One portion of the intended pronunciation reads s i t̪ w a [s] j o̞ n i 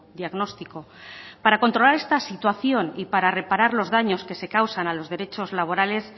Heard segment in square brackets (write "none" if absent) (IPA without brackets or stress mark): θ